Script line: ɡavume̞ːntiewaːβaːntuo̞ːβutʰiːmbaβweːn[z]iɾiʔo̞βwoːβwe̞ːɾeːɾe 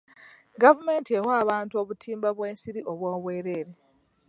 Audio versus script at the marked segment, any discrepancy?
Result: yes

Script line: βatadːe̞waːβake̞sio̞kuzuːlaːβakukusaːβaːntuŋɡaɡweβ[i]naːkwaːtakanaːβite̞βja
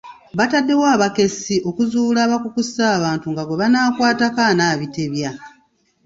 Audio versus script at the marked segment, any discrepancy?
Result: yes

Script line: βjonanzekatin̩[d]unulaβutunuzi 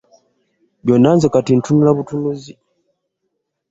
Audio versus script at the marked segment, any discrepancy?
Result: yes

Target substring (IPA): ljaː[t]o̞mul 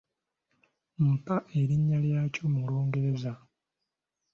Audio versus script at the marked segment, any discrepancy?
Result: yes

